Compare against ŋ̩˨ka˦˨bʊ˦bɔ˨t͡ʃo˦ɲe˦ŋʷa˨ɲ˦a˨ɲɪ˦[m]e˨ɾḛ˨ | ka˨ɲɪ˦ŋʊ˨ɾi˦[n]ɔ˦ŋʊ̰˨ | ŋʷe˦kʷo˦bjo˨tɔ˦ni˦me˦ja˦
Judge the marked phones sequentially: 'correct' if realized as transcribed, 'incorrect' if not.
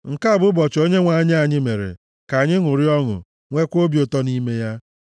correct, incorrect: none

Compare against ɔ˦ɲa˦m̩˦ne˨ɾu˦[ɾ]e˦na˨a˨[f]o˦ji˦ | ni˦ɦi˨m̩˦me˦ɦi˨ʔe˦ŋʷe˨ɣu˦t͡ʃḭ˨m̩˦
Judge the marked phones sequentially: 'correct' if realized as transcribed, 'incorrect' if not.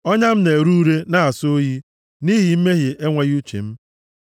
correct, incorrect: s

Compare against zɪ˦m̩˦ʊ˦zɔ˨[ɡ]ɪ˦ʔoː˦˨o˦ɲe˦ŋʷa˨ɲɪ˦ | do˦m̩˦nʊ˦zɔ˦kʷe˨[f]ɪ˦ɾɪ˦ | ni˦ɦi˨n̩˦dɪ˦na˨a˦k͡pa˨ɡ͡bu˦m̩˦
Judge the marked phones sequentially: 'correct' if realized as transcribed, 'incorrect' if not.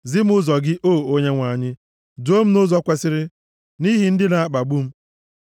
correct, incorrect: s

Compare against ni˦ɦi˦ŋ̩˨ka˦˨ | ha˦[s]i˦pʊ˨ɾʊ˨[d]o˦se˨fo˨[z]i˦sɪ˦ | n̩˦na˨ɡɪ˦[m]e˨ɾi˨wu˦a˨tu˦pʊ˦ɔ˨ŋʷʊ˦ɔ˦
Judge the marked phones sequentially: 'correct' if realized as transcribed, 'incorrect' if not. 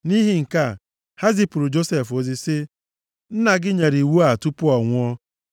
incorrect: z, incorrect: d͡ʒ, correct, incorrect: ɲ

